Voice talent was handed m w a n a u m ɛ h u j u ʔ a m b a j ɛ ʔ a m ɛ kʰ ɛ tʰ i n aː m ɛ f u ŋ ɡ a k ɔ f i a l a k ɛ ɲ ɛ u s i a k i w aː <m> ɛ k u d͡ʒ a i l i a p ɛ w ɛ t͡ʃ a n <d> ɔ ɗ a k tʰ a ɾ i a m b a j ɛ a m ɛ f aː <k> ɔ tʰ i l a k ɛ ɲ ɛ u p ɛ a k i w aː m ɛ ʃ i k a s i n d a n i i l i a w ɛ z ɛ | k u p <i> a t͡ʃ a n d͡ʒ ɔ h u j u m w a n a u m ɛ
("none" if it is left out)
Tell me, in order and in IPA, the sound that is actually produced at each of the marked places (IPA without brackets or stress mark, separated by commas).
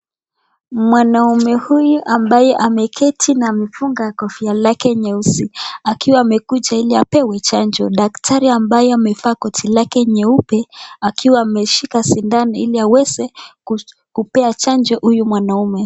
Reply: m, d͡ʒ, k, ɛ